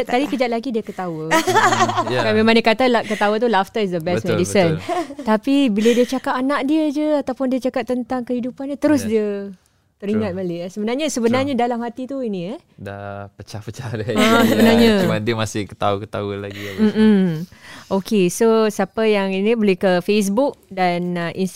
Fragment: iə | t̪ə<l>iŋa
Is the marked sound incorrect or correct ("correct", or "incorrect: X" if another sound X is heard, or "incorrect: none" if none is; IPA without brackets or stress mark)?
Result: incorrect: ɾ